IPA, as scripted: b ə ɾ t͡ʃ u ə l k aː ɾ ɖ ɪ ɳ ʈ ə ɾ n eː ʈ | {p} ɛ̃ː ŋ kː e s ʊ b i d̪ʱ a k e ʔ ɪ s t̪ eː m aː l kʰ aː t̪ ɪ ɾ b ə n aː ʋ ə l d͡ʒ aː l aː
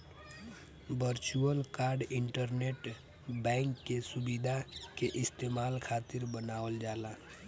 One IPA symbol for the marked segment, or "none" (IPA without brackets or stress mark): b